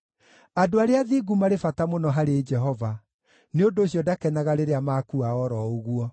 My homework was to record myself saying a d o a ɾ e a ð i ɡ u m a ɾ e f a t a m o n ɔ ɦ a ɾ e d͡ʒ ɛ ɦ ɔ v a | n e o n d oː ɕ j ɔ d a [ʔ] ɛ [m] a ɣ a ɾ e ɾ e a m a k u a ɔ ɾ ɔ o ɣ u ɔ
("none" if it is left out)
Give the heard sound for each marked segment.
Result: k, n

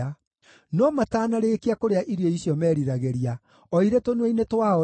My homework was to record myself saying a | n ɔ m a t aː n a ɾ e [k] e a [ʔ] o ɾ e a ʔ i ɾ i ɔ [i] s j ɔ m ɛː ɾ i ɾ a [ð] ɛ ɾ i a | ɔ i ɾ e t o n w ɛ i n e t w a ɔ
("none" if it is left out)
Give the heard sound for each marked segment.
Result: k, k, i, ɣ

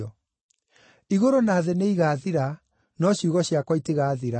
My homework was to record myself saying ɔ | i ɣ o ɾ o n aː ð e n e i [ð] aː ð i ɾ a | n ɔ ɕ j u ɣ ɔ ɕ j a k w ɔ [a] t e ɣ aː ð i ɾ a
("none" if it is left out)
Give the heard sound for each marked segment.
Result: ɣ, i

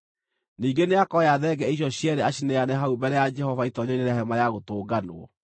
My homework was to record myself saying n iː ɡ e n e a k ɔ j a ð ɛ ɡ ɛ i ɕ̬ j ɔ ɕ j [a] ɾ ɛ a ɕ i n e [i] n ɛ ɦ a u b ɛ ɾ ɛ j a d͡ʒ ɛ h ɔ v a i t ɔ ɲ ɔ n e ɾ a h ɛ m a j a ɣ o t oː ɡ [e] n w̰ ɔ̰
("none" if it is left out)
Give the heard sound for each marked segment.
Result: ɛ, a, a

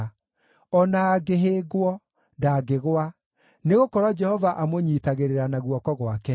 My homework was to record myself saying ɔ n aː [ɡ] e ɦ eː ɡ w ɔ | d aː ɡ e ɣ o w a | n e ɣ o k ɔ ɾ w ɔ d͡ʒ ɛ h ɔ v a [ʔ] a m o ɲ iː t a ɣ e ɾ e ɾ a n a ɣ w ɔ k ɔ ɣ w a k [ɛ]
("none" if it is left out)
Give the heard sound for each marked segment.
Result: ɡ, ʔ, ɛ

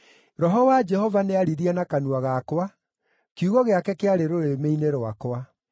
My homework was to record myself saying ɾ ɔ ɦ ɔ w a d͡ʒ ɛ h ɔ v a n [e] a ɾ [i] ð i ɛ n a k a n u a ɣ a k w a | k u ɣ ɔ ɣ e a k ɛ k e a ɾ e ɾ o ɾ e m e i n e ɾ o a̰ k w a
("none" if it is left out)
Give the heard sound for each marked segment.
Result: e, i

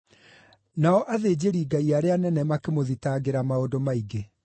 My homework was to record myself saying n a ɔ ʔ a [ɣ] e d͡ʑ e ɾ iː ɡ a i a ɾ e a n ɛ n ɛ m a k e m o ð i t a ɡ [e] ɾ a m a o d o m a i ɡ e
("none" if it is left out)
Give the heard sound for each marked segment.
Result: ð, e

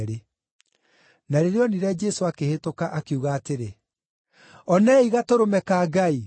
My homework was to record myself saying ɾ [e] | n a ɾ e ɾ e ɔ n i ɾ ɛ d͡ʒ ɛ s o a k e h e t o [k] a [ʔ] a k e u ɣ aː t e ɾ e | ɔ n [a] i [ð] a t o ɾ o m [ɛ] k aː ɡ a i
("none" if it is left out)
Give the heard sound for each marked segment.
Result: e, k, ʔ, ɛ, ɣ, ɛ

